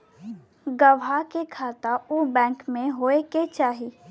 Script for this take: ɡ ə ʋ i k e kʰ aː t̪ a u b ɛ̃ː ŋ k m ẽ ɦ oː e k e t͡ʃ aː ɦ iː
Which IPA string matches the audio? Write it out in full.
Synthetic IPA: ɡ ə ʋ a k e kʰ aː t̪ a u b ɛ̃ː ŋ k m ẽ ɦ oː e k e t͡ʃ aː ɦ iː